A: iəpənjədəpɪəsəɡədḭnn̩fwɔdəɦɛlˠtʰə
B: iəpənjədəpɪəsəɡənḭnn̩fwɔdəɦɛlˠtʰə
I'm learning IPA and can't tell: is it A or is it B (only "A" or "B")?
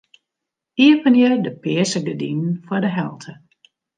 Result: A